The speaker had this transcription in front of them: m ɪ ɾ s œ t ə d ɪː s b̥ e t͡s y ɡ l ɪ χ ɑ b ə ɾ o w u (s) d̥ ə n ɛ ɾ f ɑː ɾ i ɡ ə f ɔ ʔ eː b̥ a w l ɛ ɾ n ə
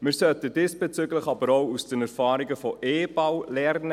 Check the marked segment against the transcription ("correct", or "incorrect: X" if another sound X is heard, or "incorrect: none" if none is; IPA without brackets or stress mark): correct